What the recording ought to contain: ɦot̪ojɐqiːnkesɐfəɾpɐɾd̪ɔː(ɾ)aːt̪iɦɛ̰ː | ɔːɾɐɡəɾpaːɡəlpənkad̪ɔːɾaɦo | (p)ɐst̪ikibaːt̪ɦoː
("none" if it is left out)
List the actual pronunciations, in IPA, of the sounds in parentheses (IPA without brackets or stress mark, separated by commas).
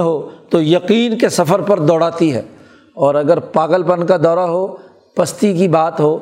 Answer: ɽ, p